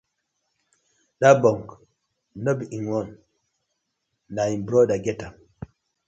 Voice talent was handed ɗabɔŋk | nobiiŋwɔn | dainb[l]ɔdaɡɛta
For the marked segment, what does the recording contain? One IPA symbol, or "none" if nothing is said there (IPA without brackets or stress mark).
ɾ